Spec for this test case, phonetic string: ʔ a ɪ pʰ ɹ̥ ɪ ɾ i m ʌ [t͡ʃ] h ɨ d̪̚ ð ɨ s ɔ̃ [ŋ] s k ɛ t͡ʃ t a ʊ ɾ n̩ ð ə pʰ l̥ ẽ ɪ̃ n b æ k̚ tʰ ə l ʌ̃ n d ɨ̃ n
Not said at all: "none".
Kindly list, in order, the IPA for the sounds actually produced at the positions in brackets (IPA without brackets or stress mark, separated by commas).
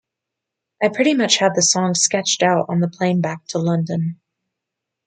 t͡ʃ, ŋ